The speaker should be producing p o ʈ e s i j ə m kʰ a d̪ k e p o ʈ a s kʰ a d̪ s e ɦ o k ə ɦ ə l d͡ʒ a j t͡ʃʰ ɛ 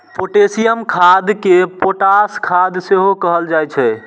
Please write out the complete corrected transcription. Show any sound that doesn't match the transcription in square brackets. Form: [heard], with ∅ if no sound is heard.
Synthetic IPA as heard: p o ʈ e s i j ə m kʰ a d̪ k e p o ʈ a s kʰ a d̪ s e ɦ o k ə ɦ ə l d͡ʒ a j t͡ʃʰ ɛ